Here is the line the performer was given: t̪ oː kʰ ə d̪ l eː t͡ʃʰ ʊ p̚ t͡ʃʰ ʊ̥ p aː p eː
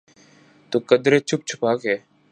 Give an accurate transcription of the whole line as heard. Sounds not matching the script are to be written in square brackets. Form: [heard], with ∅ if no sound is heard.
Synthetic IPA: t̪ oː [k] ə d̪ [ɾ] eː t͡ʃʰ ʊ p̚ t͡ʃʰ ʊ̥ p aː [k] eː